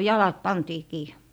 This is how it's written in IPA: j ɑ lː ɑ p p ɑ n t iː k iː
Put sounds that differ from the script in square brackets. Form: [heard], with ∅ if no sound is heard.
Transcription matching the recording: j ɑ [l] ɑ [t] p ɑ n t iː k iː

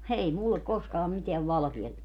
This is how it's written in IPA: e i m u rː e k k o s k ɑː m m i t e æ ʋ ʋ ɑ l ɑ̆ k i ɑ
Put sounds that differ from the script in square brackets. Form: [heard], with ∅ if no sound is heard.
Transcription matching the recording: e i m u [lː] e k k o s k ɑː m m i t e æ ʋ ʋ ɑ l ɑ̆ k i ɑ

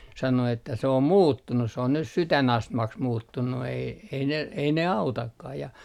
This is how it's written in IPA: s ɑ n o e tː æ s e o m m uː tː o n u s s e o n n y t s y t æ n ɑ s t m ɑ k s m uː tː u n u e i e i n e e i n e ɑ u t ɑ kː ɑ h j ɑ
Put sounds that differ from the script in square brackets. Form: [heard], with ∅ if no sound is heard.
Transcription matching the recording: s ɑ n o e tː æ s e o m m uː tː [u] n u s s e o n n y t s y t æ n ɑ s t m ɑ k s m uː tː u [nː] u e i e i n e e i n e ɑ u t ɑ kː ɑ h j ɑ

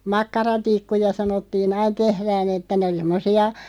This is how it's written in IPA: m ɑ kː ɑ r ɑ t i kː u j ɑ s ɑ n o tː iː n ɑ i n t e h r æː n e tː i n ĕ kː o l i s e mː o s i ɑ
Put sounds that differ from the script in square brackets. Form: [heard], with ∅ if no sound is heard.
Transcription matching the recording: m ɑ kː ɑ r ɑ t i kː u j ɑ s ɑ n o tː iː n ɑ i n t e h r æː n e tː [æ] n ĕ [∅] o l i s e mː o s i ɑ

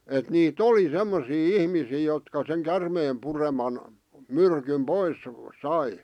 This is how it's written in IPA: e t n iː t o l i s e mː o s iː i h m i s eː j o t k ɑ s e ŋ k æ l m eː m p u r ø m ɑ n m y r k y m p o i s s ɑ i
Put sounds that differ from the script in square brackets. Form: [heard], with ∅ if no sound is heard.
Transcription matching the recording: e t n iː t o l i s e mː o s iː i h m i s [iː] j o t k ɑ s e ŋ k æ [r] m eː m p u r [e] m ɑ n m y r k y m p o i s s ɑ i

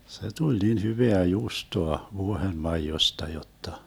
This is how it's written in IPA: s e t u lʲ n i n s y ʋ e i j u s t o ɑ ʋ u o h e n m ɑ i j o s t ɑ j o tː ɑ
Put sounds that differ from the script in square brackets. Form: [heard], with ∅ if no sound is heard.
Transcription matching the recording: s e t u lʲ n i n [h] y ʋ e [æ] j [uː] s t o ɑ ʋ u o h e n m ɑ i j o s t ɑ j o tː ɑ

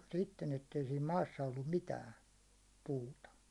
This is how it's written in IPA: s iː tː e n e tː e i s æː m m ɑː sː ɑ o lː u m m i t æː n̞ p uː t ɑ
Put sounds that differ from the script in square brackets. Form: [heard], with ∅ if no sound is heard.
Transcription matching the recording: s [i] tː e n e tː e i s [iː] m m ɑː sː ɑ o lː u m m i t æː n̞ p uː t ɑ

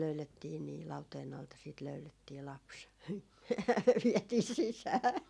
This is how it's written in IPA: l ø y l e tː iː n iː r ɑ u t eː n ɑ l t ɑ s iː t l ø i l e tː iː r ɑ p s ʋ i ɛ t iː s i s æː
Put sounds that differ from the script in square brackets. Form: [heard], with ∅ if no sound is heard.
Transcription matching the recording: l ø y l e tː iː n iː [l] ɑ u t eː n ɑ l t ɑ s iː t l ø [y] l e tː iː [l] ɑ p s ʋ i ɛ t iː s i s æː

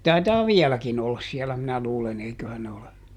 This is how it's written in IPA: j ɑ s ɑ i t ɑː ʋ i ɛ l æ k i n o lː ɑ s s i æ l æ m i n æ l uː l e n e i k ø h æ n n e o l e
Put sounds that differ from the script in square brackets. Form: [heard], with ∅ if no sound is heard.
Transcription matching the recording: j ɑ [t] ɑ i t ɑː ʋ i ɛ l æ k i n o lː ɑ s s i [ɛ] l æ m i n æ l uː l e n e i k ø h æ n n e o l e

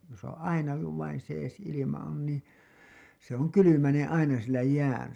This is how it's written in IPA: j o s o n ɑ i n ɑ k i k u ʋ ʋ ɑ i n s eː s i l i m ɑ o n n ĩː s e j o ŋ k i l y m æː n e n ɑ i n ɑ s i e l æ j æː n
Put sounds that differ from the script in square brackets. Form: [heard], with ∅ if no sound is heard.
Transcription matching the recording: j o s o n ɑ i n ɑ k i k u ʋ ʋ ɑ i n s eː s i l i m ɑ o n n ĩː s e [∅] o ŋ k [y] l y m [æ] n e n ɑ i n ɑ s i e l æ j æː n

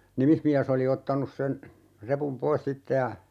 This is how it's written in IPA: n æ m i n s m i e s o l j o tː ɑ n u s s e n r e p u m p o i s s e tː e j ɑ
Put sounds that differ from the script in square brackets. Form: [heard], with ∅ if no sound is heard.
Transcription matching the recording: n [i] m i [∅] s m i [æ] s o l [i] o tː ɑ n u s s e n r e p u m p o i s s [i] tː e j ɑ

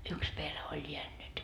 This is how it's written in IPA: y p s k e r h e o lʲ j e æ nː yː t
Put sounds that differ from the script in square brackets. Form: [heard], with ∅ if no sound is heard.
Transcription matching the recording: y [k] s [p] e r h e o lʲ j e æ nː [y] t

